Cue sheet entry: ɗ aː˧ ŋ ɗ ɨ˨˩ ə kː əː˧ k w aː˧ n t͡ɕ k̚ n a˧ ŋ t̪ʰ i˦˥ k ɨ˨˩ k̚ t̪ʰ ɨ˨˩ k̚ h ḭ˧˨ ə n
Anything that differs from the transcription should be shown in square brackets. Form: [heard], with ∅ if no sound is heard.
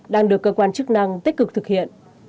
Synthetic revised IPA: ɗ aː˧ ŋ ɗ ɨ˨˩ ə kː əː˧ k w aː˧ n t͡ɕ k̚ n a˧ ŋ [t̪] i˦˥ k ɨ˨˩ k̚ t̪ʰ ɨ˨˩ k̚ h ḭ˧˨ ə n